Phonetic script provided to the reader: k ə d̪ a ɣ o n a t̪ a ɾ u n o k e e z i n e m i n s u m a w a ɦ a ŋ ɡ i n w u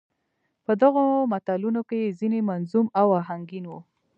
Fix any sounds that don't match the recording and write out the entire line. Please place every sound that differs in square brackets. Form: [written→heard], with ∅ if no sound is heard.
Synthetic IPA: [k→p] ə d̪ a ɣ o [n→m] a t̪ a [ɾ→l] u n o k e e z i n e m [i→a] n [s→z] u m a w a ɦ a ŋ ɡ i n w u